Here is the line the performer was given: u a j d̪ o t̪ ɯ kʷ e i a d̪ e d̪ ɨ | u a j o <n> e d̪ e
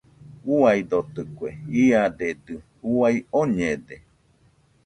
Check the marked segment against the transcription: incorrect: ɲ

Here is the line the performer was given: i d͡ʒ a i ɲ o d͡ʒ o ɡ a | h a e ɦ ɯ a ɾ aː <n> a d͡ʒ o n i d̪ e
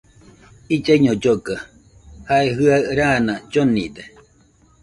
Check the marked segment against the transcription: correct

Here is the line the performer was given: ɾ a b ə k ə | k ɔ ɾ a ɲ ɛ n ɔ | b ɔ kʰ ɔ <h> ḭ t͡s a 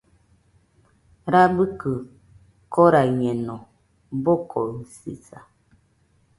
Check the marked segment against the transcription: incorrect: s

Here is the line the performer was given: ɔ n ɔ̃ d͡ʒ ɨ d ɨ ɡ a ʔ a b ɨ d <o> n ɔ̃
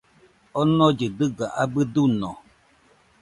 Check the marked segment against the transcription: incorrect: u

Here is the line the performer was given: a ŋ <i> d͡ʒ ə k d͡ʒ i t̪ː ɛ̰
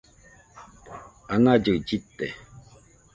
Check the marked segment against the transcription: incorrect: a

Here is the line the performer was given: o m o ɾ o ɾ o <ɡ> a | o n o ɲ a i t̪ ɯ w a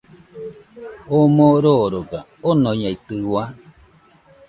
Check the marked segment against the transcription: correct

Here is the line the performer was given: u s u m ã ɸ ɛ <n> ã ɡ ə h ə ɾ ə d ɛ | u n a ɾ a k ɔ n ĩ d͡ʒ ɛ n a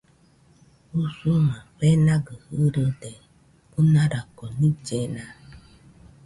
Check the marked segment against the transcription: correct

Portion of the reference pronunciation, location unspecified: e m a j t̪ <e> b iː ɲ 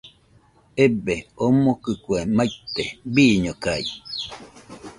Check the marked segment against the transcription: correct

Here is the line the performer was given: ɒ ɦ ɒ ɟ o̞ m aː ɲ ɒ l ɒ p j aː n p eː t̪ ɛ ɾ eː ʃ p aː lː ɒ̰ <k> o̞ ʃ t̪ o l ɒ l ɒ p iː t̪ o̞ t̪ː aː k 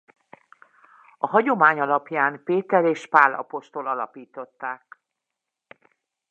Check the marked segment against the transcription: incorrect: p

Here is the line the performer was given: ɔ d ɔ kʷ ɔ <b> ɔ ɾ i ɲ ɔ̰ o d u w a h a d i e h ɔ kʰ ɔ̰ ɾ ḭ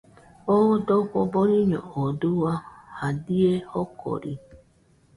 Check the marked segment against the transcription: correct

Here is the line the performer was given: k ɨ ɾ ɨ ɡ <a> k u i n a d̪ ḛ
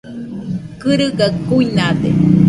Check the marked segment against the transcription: correct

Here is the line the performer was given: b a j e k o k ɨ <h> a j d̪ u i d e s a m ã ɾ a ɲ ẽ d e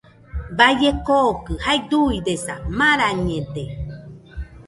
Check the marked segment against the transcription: correct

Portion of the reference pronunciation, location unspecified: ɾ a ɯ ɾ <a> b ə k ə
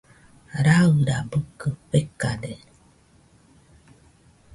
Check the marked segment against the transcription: correct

